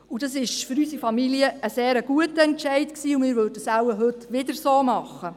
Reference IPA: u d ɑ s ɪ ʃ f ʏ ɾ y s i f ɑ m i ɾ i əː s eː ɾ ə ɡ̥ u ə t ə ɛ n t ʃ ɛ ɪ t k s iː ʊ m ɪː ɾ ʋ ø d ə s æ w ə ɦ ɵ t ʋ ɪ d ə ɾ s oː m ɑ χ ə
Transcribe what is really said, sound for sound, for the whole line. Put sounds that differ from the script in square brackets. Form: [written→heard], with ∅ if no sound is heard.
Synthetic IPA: u d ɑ s ɪ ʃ f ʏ ɾ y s i f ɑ m i [ɾ→l] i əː s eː ɾ ə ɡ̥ u ə t ə ɛ n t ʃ ɛ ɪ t k s iː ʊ m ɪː ɾ ʋ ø d ə s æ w ə ɦ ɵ t ʋ ɪ d ə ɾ s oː m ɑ χ ə